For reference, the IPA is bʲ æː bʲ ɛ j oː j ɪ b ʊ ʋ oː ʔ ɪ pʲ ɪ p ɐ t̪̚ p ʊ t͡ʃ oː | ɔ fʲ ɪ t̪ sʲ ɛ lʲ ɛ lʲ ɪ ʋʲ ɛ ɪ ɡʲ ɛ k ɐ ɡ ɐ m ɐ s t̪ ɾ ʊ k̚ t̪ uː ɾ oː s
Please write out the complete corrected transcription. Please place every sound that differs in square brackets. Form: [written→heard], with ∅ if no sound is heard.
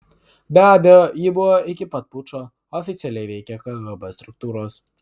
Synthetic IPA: bʲ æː bʲ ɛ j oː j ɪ b ʊ ʋ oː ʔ ɪ [pʲ→kʲ] ɪ p ɐ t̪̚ p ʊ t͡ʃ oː | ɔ fʲ ɪ t̪ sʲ ɛ lʲ ɛ [lʲ→∅] ɪ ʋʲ ɛ ɪ [ɡʲ→kʲ] ɛ k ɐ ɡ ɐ [m→b] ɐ s t̪ ɾ ʊ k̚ t̪ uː ɾ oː s